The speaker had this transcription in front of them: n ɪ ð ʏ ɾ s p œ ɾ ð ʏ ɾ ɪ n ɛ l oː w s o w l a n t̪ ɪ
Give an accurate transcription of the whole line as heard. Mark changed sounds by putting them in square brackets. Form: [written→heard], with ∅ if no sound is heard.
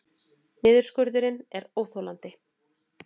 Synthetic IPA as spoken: n [ɪ→ɪː] ð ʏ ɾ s [p→k] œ ɾ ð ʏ ɾ ɪ n ɛ [l→ɾ] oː w [s→θ] o w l a n t̪ ɪ

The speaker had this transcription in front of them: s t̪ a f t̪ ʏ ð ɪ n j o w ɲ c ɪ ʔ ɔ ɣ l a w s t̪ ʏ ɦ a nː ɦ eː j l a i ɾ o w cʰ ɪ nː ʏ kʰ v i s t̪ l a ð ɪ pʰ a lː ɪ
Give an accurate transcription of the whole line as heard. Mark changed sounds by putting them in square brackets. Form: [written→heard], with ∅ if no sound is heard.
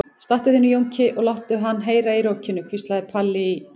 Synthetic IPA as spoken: s t̪ a [f→h] t̪ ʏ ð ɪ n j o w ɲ c ɪ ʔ ɔ ɣ l a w [s→h] t̪ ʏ ɦ a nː ɦ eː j [l→ɾ] a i ɾ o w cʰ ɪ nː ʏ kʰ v i s t̪ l a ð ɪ pʰ a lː ɪ

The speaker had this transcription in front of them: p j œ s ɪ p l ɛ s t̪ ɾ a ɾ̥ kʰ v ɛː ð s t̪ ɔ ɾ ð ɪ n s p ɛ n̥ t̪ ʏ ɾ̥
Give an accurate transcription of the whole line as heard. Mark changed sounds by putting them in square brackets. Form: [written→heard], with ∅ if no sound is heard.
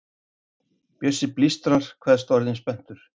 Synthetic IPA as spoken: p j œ s ɪ p l [ɛ→i] s t̪ ɾ a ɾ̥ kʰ v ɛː ð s t̪ ɔ ɾ ð ɪ n s p ɛ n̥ t̪ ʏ ɾ̥

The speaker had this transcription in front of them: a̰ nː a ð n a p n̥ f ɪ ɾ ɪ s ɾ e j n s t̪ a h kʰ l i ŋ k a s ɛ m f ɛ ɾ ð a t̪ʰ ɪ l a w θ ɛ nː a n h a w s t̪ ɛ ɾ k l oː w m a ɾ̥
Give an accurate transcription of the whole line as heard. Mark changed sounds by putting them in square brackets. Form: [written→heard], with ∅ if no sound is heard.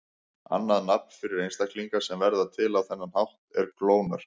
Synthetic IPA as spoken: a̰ nː a ð n a p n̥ f ɪ ɾ ɪ [s→∅] ɾ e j n s t̪ a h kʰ l i ŋ k a s ɛ m [f→v] ɛ ɾ ð a t̪ʰ ɪ l a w θ ɛ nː a n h a w [s→h] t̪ ɛ ɾ k l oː w [m→n] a ɾ̥

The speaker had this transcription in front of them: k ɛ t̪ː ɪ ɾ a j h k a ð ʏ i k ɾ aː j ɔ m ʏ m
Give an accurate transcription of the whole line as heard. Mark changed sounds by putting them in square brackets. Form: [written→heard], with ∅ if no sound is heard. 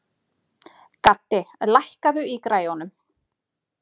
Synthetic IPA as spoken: k [ɛ→a] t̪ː ɪ [ɾ→l] a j h k a ð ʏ i k ɾ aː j ɔ [m→n] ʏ m

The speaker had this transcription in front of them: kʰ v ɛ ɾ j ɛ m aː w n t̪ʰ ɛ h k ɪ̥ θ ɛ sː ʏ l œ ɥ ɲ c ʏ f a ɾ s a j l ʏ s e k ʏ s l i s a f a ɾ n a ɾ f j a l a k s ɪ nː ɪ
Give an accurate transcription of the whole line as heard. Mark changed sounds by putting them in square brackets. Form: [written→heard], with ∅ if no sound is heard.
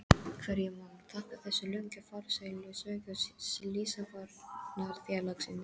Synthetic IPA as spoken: kʰ v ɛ ɾ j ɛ m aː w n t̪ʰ [ɛ→a] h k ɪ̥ θ ɛ sː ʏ l œ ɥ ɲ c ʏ f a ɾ s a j l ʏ s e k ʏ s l i s a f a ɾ n a ɾ [f→θ] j a l a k s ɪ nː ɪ

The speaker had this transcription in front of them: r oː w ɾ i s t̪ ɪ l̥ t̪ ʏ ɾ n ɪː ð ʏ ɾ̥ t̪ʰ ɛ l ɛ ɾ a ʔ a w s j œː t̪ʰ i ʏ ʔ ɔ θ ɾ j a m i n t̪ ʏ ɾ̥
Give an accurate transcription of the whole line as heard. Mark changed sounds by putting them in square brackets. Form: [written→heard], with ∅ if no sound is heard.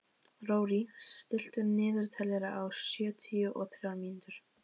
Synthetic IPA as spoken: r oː w ɾ i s t̪ ɪ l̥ t̪ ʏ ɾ n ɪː ð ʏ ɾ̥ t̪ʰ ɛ l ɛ ɾ a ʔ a w s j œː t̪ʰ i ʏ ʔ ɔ θ ɾ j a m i n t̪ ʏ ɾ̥

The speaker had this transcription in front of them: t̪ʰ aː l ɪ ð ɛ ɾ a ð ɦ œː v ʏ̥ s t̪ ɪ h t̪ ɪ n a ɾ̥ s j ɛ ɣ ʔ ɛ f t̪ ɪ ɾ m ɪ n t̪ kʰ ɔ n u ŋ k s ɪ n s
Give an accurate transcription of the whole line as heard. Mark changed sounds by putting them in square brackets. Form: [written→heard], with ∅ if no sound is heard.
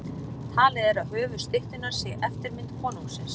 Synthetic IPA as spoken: t̪ʰ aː l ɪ ð ɛ ɾ a ð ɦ œː v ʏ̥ s t̪ ɪ h t̪ ɪ n a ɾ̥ s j ɛ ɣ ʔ ɛ f t̪ ɪ ɾ m ɪ n t̪ kʰ [ɔ→ɔː] n u ŋ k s ɪ n s

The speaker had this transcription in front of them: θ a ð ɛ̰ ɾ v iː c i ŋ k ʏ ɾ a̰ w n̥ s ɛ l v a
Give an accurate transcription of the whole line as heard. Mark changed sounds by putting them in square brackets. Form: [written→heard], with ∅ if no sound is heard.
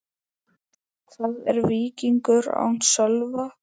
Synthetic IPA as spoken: θ a ð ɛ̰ ɾ v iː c i ŋ k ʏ ɾ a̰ w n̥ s [ɛ→œ] l v a

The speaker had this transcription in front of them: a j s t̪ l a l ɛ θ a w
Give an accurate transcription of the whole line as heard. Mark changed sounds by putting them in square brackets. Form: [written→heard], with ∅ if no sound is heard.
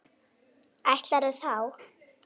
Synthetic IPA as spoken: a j [s→h] t̪ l a [l→ɾ] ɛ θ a w

